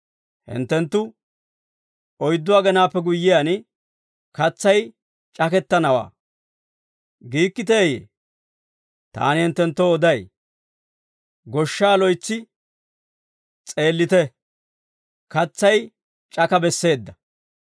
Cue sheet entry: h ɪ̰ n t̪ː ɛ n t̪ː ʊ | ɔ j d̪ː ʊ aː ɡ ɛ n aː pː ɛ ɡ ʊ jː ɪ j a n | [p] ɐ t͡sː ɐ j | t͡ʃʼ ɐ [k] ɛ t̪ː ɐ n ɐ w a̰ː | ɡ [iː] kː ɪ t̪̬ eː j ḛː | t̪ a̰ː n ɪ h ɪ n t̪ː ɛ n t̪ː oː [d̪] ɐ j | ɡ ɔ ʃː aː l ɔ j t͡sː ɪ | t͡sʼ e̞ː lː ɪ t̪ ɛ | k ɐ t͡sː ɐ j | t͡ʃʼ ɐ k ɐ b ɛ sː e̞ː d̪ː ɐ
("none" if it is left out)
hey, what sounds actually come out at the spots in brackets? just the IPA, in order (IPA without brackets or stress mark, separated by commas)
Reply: k, k, iː, d̪